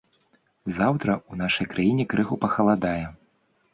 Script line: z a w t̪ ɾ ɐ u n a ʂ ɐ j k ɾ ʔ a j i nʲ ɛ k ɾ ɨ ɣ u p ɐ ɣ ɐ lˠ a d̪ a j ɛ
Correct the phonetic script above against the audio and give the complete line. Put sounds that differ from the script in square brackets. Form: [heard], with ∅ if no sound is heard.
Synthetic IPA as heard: z a w t̪ ɾ ɐ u n a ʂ ɐ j k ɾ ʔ a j i nʲ ɛ k ɾ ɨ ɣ u p ɐ [x] ɐ lˠ a d̪ a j ɛ